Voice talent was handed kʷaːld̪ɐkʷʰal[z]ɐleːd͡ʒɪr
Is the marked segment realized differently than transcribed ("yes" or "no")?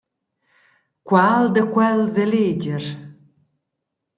no